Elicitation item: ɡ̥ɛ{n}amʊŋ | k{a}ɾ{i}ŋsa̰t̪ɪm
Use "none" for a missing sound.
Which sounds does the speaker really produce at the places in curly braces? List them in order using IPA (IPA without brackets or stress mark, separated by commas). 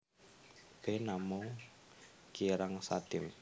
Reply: n, i, a